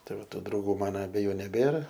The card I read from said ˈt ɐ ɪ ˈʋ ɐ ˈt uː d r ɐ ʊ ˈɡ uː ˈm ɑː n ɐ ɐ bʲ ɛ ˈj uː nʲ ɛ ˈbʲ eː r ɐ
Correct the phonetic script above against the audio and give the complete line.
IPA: ˈt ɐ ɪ ˈʋ ɐ ˈt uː d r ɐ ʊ ˈɡ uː ˈm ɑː n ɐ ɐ bʲ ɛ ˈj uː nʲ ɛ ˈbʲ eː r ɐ

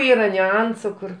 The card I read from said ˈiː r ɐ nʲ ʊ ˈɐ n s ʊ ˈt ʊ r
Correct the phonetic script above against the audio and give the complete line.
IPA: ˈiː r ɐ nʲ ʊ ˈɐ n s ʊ ˈk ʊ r

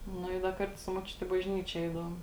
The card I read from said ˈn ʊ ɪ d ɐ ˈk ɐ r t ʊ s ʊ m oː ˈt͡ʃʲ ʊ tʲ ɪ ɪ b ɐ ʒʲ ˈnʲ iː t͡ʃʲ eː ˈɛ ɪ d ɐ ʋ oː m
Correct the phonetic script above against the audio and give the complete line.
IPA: ˈn ʊ ɪ d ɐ ˈk ɐ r t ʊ s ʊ m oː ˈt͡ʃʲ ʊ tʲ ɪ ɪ b ɐ ʒʲ ˈnʲ iː t͡ʃʲ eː ˈɛ ɪ d ɐ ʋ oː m

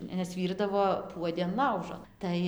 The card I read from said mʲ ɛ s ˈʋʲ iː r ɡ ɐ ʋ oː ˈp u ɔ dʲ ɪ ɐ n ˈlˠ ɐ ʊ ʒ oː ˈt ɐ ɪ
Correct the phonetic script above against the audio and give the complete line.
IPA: nʲ ɛ s ˈʋʲ iː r d ɐ ʋ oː ˈp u ɔ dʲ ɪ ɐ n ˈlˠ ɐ ʊ ʒ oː ˈt ɐ ɪ

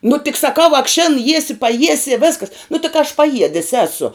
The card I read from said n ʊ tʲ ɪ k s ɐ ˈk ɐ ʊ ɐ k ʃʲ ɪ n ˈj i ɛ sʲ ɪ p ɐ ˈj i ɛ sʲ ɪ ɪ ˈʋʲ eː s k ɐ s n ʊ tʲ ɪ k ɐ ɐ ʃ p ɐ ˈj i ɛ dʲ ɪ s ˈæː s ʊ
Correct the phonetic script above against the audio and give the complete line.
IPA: n ʊ tʲ ɪ k s ɐ ˈk ɐ ʊ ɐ k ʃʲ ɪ n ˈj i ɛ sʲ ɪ p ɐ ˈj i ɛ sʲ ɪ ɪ ˈʋʲ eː s k ɐ s n ʊ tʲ ɪ k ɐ ɐ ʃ p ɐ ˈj i ɛ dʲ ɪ s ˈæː s ʊ

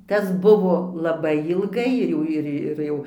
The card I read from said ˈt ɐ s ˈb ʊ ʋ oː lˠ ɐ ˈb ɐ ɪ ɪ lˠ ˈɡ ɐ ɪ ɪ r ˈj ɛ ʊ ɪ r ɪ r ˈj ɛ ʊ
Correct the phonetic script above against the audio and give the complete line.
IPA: ˈt ɐ s ˈb ʊ ʋ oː lˠ ɐ ˈb ɐ ɪ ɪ lˠ ˈɡ ɐ ɪ ɪ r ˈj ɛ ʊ ɪ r ɪ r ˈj ɛ ʊ

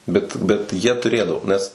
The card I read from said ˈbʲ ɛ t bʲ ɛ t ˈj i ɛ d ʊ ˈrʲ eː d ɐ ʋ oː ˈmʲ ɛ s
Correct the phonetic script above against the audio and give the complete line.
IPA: ˈbʲ ɛ t bʲ ɛ t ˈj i ɛ t ʊ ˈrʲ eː d ɐ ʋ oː ˈnʲ ɛ s

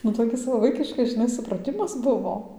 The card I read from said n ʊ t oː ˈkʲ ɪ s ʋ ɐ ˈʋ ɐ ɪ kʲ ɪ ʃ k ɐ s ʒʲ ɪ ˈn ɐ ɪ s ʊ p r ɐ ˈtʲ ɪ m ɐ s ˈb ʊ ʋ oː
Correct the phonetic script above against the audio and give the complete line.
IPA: n ʊ t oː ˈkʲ ɪ s ʋ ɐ ˈʋ ɐ ɪ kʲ ɪ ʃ k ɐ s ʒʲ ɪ ˈn ɐ ɪ s ʊ p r ɐ ˈtʲ ɪ m ɐ s ˈb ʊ ʋ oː

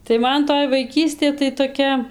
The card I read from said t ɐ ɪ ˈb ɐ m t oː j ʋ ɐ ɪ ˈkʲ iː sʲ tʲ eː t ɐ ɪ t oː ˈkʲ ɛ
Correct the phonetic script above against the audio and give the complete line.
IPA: t ɐ ɪ ˈm ɐ n t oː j ʋ ɐ ɪ ˈkʲ iː sʲ tʲ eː t ɐ ɪ t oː ˈkʲ ɛ

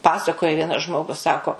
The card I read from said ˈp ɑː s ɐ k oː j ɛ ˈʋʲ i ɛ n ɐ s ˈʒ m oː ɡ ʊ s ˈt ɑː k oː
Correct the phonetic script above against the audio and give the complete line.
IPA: ˈp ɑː s ɐ k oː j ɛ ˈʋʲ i ɛ n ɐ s ˈʒ m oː ɡ ʊ s ˈs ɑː k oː

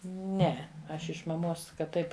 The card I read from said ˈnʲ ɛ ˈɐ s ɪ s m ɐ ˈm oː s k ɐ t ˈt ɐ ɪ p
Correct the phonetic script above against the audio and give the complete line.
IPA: ˈnʲ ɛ ˈɐ ʃ ɪ ʃ m ɐ ˈm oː s k ɐ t ˈt ɐ ɪ p

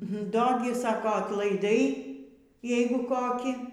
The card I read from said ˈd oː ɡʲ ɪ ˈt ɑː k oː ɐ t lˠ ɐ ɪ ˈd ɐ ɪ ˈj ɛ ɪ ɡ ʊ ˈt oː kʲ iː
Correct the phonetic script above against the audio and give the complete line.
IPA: ˈd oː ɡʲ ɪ ˈs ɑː k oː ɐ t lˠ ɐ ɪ ˈd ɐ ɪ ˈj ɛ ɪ ɡ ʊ ˈk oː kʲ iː

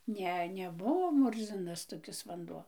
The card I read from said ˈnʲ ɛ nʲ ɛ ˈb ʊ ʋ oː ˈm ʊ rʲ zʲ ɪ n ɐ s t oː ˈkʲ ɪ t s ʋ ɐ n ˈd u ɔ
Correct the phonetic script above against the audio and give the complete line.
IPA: ˈnʲ ɛ nʲ ɛ ˈb ʊ ʋ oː ˈm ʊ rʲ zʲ ɪ n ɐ s t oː ˈkʲ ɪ s ʋ ɐ n ˈd u ɔ

